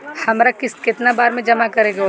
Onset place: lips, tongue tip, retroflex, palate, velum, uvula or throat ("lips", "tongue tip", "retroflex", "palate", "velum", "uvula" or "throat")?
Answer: throat